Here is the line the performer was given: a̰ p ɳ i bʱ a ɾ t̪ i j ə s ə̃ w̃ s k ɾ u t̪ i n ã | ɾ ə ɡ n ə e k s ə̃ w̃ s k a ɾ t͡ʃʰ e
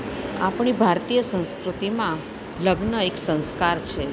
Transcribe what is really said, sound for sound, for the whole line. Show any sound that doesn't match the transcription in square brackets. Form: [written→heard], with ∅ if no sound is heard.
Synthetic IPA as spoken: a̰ p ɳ i bʱ a ɾ t̪ i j ə s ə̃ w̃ s k ɾ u t̪ i [n→m] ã | [ɾ→l] ə ɡ n ə e k s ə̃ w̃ s k a ɾ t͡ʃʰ e